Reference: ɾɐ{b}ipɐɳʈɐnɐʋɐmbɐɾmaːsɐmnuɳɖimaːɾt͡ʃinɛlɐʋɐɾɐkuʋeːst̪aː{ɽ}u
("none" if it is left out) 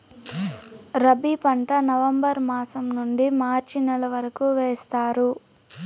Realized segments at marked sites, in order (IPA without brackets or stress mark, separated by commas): b, ɾ